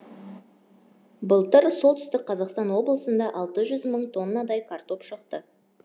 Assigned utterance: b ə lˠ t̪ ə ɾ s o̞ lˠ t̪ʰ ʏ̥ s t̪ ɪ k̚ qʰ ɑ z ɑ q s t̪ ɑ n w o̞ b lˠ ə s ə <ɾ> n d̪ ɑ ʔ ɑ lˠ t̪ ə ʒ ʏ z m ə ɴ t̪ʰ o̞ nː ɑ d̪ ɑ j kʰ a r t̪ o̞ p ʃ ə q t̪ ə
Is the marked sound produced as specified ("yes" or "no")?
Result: no